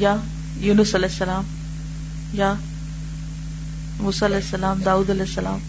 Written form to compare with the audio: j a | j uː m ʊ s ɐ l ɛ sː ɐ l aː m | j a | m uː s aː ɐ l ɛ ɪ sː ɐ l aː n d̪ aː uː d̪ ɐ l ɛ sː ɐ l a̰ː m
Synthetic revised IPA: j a | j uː n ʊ s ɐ l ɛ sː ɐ l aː m | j a | m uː s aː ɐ l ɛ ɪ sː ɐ l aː m d̪ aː uː d̪ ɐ l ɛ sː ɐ l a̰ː m